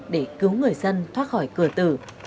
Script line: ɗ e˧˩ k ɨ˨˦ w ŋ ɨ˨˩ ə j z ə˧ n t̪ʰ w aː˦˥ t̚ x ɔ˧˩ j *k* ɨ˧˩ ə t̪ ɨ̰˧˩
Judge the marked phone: correct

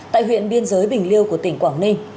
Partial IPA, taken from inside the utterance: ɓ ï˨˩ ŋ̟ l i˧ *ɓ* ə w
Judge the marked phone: incorrect: none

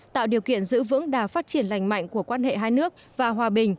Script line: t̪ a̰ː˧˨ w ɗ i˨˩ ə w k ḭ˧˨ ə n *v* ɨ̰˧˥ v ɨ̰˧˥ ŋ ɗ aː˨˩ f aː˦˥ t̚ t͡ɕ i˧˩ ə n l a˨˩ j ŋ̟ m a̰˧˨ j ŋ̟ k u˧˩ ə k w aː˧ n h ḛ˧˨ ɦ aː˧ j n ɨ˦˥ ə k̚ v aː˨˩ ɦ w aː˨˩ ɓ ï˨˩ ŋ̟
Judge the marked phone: incorrect: z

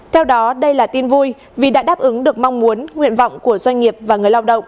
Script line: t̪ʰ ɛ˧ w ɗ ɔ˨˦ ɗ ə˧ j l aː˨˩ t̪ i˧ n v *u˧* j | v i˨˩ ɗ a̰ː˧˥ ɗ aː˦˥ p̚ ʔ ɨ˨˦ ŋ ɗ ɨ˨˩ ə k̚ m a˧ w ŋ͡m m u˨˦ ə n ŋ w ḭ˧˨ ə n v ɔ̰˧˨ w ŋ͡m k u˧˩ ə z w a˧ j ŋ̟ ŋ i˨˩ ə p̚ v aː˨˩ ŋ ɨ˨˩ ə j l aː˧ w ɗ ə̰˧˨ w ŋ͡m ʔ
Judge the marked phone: correct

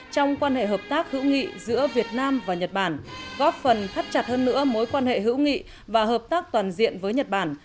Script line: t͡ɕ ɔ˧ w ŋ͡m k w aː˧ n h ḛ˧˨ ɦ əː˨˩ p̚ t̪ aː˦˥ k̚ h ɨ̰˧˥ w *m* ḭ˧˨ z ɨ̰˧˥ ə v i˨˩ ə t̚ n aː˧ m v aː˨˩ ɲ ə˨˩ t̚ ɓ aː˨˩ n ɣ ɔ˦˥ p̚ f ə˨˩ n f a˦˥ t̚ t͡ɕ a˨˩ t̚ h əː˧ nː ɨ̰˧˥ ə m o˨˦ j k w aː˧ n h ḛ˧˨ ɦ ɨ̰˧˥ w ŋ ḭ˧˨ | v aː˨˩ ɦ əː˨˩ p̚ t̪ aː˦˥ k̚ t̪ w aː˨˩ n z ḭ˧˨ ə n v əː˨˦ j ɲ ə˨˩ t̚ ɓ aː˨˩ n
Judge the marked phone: incorrect: ŋ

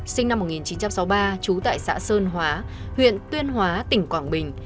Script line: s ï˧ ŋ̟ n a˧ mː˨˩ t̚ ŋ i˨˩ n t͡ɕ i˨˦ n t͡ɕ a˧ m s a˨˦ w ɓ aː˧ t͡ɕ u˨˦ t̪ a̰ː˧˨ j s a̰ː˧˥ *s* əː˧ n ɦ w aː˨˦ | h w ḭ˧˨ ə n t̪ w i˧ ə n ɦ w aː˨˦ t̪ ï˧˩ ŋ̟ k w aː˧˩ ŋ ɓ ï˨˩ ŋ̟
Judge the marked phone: correct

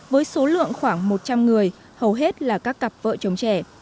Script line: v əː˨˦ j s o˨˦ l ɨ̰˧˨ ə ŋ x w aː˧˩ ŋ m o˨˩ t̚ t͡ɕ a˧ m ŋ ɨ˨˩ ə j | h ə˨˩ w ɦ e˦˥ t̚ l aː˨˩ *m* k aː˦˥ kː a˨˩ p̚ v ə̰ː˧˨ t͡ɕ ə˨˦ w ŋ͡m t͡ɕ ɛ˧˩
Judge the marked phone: incorrect: none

